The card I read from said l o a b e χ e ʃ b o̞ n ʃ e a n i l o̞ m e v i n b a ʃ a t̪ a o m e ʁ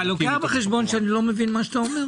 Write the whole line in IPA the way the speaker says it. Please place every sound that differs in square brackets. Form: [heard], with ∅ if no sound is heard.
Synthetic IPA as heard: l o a b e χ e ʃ b o̞ n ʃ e a n i l o̞ m e v i n [m] a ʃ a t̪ a o m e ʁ